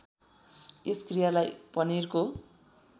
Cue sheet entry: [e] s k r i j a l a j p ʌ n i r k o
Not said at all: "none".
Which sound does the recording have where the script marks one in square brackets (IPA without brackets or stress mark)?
e